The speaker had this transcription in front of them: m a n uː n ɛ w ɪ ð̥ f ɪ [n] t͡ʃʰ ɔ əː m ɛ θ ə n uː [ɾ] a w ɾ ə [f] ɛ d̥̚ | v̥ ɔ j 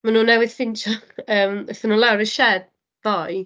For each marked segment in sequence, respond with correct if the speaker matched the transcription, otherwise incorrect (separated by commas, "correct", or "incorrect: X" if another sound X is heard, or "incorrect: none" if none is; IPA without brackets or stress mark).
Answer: correct, incorrect: l, incorrect: ʃ